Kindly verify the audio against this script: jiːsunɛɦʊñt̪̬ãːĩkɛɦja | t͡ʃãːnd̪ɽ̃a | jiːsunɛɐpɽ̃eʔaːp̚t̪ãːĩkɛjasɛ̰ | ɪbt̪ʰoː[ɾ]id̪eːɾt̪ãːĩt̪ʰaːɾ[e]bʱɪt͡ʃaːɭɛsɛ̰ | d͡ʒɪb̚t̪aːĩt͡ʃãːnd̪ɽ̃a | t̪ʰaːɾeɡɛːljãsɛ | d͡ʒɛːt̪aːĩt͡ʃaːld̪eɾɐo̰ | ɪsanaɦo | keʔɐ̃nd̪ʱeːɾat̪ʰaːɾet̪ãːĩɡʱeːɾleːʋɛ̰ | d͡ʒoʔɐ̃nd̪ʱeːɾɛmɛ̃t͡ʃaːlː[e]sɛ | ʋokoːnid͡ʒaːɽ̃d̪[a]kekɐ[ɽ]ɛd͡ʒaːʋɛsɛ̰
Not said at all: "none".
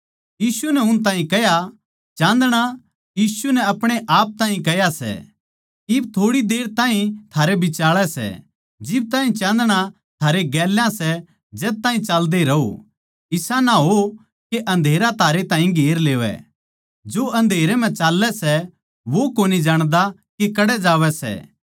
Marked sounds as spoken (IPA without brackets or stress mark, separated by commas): ɽ, e, ɛ, a, ɽ